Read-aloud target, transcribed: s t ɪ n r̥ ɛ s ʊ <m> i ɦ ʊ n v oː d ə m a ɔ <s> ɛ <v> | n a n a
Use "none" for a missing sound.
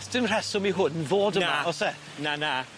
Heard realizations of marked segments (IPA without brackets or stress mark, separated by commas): m, s, none